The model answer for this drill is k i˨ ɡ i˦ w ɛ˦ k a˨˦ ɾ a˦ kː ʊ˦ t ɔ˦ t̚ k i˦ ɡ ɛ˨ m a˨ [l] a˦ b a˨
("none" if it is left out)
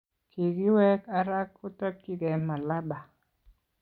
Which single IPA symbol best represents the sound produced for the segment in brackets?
l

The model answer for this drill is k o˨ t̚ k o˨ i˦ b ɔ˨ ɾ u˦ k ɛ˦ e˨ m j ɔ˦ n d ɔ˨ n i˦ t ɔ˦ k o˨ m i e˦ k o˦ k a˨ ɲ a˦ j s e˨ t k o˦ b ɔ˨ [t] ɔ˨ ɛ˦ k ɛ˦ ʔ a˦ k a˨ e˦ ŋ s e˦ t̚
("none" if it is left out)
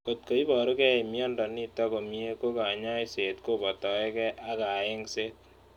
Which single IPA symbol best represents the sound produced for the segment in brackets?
t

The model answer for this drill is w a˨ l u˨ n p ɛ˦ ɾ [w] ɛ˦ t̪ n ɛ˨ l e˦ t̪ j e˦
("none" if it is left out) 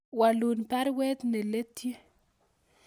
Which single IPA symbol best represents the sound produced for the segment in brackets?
w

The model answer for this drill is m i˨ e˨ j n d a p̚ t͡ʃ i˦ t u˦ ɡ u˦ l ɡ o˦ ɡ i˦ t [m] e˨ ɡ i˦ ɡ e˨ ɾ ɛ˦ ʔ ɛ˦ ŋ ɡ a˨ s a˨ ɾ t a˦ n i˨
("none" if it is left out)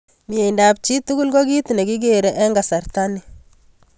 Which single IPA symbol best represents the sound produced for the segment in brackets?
n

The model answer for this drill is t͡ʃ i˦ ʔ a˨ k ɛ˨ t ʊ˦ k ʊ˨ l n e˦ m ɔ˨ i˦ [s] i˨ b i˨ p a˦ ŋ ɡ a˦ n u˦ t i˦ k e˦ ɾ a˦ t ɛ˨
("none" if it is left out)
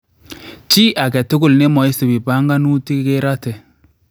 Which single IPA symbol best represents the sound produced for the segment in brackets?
s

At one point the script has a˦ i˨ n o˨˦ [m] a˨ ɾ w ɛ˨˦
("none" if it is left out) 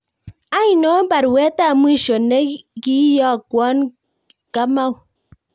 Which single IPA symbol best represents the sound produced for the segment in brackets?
b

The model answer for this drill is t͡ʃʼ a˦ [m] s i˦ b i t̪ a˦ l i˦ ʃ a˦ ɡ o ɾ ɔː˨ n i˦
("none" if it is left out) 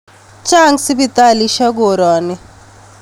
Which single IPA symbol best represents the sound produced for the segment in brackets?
ŋ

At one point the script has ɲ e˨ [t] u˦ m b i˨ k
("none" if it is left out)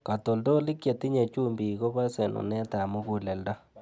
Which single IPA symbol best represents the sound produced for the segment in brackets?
t͡ʃ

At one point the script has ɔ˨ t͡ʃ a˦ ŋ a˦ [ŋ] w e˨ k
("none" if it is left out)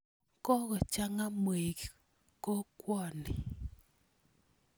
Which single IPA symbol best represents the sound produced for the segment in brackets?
m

